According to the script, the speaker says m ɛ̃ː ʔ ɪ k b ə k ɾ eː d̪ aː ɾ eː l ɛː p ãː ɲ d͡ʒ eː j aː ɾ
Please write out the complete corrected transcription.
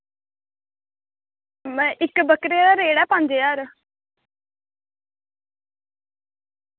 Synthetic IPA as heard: m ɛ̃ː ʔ ɪ k b ə k ɾ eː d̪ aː ɾ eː ɽ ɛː p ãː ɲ d͡ʒ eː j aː ɾ

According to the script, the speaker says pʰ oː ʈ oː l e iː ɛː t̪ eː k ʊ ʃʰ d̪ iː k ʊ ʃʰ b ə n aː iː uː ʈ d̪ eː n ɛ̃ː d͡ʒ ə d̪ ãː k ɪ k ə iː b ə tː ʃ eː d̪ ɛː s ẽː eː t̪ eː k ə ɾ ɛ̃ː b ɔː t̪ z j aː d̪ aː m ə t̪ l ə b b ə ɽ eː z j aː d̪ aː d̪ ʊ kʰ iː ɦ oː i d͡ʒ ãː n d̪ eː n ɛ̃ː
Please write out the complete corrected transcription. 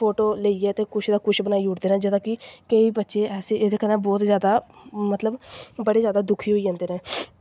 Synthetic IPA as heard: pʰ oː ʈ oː l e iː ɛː t̪ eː k ʊ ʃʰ d̪ aː k ʊ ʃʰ b ə n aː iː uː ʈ d̪ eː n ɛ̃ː d͡ʒ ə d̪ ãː k ɪ k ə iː b ə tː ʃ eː ɛː s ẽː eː d̪ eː k ə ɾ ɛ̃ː b ɔː t̪ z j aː d̪ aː m ə t̪ l ə b b ə ɽ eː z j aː d̪ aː d̪ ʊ kʰ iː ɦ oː i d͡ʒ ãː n d̪ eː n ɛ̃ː

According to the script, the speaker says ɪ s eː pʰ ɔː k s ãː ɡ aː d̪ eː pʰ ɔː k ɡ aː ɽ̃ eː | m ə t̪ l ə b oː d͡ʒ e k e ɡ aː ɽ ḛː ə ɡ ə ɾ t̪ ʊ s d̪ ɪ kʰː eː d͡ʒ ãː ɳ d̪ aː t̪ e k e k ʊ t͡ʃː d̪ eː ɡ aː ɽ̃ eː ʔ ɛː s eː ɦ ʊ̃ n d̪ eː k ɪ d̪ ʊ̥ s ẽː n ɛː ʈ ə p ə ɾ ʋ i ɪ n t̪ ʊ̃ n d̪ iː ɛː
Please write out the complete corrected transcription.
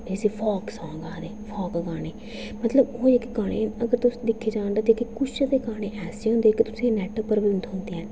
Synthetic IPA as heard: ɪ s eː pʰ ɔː k s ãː ɡ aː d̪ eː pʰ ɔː k ɡ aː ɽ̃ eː | m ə t̪ l ə b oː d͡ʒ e k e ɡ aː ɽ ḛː ə ɡ ə ɾ t̪ ʊ s d̪ ɪ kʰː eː d͡ʒ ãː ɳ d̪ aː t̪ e k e k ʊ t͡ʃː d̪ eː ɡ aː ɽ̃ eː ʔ ɛː s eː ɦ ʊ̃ n d̪ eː k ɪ t̪ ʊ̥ s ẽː n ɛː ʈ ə p ə ɾ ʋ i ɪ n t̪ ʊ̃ n d̪ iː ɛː

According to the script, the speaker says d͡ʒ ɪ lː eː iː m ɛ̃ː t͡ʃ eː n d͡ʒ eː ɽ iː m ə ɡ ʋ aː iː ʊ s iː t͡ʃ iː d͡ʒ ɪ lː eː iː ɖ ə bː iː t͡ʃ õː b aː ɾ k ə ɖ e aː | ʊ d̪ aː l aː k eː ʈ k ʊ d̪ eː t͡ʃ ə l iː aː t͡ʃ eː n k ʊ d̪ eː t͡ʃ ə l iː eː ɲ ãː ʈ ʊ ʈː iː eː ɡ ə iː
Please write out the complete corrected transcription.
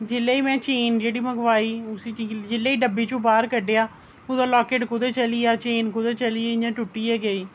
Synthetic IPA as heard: d͡ʒ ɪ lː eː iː m ɛ̃ː t͡ʃ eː n d͡ʒ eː ɽ iː m ə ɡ ʋ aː iː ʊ s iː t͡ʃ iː d͡ʒ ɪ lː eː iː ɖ ə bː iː t͡ʃ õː b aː ɾ k ə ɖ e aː | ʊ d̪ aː l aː k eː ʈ k ʊ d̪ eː t͡ʃ ə l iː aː t͡ʃ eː n k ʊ d̪ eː t͡ʃ ə l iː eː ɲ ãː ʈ ʊ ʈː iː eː ɡ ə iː

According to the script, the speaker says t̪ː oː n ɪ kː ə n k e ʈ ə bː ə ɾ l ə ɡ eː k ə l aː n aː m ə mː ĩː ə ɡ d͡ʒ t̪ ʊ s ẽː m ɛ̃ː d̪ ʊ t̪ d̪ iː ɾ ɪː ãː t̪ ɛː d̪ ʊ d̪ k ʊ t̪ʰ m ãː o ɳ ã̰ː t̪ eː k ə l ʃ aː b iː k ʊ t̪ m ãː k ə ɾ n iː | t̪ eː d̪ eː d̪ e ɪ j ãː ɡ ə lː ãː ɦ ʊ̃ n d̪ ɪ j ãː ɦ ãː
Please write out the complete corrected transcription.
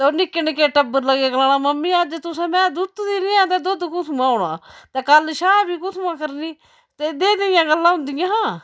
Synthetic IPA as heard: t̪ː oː n ɪ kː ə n k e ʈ ə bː ə ɾ l ə ɡ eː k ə l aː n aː m ə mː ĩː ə d͡ʒ t̪ ʊ s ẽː m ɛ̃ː d̪ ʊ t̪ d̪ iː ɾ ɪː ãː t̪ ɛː d̪ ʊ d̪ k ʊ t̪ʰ m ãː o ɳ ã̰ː t̪ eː k ə l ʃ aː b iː k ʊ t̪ m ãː k ə ɾ n iː | t̪ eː d̪ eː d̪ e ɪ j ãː ɡ ə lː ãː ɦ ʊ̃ n d̪ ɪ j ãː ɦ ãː

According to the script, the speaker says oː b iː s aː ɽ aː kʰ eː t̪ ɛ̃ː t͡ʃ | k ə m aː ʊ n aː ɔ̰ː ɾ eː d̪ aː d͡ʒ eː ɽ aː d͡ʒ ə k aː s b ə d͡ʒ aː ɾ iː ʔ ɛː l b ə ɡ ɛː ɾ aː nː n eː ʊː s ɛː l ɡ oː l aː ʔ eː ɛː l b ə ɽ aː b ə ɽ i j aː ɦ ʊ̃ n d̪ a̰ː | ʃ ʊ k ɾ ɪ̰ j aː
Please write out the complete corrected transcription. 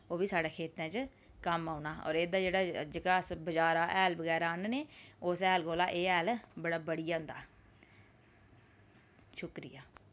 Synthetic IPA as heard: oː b iː s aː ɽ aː kʰ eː t̪ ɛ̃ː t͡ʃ | k ə m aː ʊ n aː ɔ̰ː ɾ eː d̪ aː d͡ʒ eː ɽ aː d͡ʒ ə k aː s b ə d͡ʒ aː ɾ aː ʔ ɛː l b ə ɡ ɛː ɾ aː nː n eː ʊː s ɛː l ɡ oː l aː ʔ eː ɛː l b ə ɽ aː b ə ɽ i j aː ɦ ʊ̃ n d̪ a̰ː | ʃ ʊ k ɾ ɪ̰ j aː

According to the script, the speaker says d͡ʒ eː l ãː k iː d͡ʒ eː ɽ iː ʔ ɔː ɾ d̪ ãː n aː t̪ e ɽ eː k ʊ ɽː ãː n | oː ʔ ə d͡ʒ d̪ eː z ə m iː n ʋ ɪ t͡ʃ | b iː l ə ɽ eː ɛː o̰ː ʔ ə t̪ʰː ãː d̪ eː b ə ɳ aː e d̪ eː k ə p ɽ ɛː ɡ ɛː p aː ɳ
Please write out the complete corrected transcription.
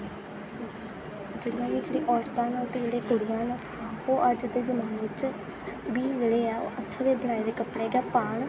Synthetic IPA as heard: d͡ʒ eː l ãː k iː d͡ʒ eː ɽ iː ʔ ɔː ɾ t̪ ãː n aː t̪ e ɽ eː k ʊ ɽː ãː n | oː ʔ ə d͡ʒ d̪ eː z ə m aː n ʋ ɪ t͡ʃ | b iː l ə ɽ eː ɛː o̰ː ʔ ə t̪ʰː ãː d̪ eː b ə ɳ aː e d̪ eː k ə p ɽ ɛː ɡ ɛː p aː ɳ

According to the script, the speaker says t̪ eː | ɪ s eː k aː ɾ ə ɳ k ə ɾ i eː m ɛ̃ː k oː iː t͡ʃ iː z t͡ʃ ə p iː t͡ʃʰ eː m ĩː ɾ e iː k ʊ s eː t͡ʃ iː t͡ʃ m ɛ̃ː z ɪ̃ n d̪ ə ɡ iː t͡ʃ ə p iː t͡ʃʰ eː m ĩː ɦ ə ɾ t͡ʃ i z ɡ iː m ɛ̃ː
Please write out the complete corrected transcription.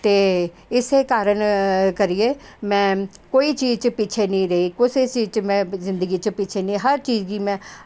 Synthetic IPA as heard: t̪ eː | ɪ s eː k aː ɾ ə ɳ k ə ɾ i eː m ɛ̃ː k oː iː t͡ʃ iː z t͡ʃ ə p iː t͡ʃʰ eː n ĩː ɾ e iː k ʊ s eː t͡ʃ iː t͡ʃ m ɛ̃ː z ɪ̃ n d̪ ə ɡ iː t͡ʃ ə p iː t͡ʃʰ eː n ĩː ɦ ə ɾ t͡ʃ iː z ɡ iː m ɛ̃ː

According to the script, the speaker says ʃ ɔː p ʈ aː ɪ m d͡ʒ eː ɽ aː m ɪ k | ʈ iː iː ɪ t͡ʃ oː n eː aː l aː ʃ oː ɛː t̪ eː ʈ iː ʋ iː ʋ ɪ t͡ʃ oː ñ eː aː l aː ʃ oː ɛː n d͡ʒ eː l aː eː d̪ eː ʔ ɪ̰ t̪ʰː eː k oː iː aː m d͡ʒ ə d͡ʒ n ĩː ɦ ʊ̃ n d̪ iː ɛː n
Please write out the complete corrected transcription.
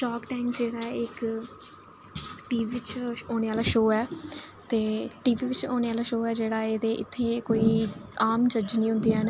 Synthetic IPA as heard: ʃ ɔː k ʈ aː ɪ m d͡ʒ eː ɽ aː ɪ k | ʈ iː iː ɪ t͡ʃ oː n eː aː l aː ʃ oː ɛː t̪ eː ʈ iː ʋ iː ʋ ɪ t͡ʃ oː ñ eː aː l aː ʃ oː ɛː d͡ʒ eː ɽ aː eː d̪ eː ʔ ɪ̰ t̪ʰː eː k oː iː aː m d͡ʒ ə d͡ʒ n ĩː ɦ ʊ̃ n d̪ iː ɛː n

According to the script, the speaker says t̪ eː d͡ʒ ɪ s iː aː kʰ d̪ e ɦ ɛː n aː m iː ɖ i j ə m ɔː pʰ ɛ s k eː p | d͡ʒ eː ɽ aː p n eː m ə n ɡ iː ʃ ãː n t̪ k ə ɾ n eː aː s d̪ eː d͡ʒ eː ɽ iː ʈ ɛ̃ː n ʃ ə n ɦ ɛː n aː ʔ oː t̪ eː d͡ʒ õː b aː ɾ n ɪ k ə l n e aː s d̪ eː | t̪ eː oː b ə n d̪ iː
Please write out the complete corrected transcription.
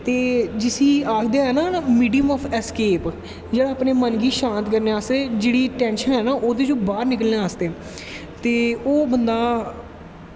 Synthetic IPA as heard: t̪ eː d͡ʒ ɪ s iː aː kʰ d̪ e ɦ ɛː n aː m iː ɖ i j ə m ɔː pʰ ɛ s k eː p | d͡ʒ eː ɽ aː p n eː m ə n ɡ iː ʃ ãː n t̪ k ə ɾ n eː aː s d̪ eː d͡ʒ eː ɽ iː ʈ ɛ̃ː n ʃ ə n ɦ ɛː n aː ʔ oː d̪ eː d͡ʒ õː b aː ɾ n ɪ k ə l n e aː s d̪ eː | t̪ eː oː b ə n d̪ aː

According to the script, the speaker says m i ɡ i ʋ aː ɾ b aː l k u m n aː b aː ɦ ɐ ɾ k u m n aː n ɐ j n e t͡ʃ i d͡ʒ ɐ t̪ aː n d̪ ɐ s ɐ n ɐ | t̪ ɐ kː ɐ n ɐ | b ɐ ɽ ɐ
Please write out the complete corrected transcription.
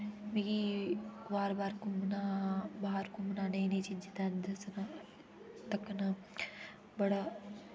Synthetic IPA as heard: m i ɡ i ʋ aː ɾ b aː ɾ k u m n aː b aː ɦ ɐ ɾ k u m n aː n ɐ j n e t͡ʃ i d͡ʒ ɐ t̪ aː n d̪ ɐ s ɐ n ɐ | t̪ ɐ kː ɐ n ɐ | b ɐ ɽ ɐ

